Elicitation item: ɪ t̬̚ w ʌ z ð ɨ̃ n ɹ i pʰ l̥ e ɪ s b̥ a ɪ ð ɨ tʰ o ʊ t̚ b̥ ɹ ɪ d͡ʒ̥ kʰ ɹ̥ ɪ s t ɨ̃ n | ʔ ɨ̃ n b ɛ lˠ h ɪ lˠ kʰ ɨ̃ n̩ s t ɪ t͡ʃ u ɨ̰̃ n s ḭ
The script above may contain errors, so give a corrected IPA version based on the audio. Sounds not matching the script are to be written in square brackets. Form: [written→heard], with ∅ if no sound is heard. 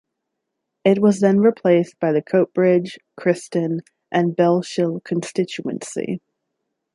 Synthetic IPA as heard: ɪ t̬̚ w ʌ z ð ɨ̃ n ɹ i pʰ l̥ e ɪ s b̥ a ɪ ð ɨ [tʰ→kʰ] o ʊ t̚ b̥ ɹ ɪ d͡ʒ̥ kʰ ɹ̥ ɪ s t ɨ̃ n | ʔ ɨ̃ n b ɛ lˠ [h→ʃ] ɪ lˠ kʰ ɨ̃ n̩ s t ɪ t͡ʃ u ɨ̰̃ n s ḭ